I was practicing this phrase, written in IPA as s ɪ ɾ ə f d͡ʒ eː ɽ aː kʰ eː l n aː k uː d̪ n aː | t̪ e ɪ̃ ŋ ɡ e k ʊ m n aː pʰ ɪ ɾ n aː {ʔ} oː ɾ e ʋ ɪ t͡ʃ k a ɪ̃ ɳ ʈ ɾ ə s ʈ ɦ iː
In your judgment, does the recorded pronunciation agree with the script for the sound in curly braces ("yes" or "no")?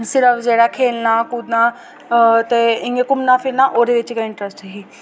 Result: yes